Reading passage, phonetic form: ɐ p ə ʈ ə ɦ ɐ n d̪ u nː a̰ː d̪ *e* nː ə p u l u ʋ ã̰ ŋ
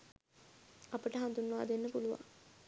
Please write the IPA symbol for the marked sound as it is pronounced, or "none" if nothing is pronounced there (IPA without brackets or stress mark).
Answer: e